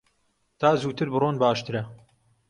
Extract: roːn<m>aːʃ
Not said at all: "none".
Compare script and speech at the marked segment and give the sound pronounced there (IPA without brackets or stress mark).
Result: b